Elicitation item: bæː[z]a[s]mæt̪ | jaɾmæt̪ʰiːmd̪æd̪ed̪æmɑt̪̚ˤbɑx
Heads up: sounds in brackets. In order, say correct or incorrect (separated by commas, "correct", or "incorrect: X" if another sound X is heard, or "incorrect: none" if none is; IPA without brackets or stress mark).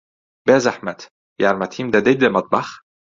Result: correct, incorrect: ħ